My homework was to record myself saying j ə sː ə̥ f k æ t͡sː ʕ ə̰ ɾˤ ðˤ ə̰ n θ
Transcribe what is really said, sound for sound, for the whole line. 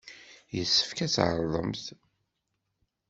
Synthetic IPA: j ə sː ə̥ f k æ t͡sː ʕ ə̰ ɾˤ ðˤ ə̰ m θ